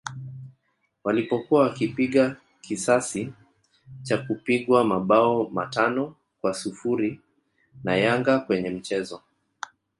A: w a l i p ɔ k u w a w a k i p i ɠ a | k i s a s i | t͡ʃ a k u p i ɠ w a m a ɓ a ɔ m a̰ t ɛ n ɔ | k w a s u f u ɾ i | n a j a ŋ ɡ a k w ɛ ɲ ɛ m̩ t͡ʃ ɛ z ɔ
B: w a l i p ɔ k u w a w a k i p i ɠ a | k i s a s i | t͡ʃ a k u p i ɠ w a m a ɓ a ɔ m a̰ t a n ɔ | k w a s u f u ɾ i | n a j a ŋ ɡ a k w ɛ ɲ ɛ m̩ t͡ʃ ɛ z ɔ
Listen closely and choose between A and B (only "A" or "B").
B